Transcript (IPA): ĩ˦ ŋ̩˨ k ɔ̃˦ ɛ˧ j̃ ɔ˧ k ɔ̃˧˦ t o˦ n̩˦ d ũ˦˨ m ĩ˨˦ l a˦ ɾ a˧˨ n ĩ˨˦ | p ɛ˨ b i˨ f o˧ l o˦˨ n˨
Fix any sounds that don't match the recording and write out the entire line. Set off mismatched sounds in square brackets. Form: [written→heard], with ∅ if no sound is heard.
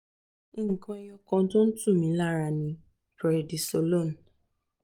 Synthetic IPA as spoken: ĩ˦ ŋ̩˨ k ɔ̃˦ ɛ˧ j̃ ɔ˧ k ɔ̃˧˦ t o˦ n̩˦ [d→t] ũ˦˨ m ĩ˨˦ l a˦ ɾ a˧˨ n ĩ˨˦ | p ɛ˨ [b→d] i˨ [f→s] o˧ l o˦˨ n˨